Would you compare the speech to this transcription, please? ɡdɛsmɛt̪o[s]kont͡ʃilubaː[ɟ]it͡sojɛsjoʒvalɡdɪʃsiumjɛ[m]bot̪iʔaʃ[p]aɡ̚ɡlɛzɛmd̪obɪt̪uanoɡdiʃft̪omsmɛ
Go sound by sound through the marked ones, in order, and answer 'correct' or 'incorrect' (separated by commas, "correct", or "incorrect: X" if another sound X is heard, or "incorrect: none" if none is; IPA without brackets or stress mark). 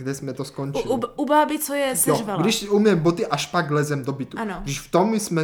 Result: correct, incorrect: b, correct, correct